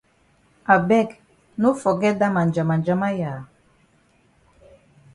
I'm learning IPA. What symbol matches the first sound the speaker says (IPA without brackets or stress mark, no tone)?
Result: a